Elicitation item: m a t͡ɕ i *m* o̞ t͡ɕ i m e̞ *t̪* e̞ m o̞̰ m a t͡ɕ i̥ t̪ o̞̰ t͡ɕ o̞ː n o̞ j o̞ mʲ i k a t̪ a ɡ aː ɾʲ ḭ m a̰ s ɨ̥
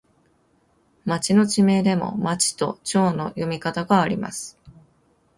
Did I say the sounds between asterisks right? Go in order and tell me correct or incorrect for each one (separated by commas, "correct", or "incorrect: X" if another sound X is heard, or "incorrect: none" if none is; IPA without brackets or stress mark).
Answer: incorrect: n, incorrect: d̪